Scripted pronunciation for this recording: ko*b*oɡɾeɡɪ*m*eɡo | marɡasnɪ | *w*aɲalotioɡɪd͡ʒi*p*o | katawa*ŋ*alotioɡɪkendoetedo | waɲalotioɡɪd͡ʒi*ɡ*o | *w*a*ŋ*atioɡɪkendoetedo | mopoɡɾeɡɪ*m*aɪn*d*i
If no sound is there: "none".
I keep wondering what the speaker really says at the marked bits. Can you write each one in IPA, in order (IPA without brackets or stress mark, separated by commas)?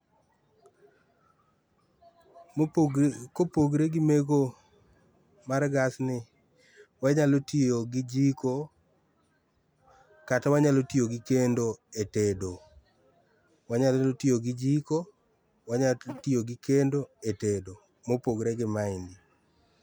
p, m, w, k, ɲ, k, w, ɲ, m, d